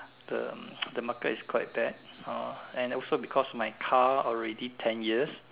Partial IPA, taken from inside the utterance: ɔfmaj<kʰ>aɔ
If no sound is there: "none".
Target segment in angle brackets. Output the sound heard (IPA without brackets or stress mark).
kʰ